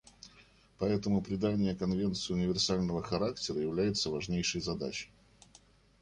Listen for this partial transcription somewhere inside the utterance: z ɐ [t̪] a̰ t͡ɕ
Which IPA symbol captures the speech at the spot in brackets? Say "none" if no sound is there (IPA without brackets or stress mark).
d̪